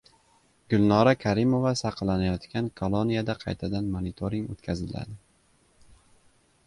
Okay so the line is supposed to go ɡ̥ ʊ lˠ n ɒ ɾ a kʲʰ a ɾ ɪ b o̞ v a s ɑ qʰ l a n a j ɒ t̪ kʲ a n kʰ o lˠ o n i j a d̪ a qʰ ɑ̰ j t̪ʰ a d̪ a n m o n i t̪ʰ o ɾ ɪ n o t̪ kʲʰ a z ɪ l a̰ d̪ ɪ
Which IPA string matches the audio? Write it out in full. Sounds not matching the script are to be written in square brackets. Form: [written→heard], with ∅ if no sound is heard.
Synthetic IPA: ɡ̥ ʊ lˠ n ɒ ɾ a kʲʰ a ɾ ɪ [b→m] o̞ v a s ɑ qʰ l a n a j ɒ t̪ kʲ a n kʰ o lˠ o n i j a d̪ a qʰ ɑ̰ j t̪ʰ a d̪ a n m o n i t̪ʰ o ɾ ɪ [n→ŋ] o t̪ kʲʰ a z ɪ l a̰ d̪ ɪ